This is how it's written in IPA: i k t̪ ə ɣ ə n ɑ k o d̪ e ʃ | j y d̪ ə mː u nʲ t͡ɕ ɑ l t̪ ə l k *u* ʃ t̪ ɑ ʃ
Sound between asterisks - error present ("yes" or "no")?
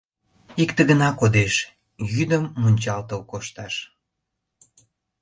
yes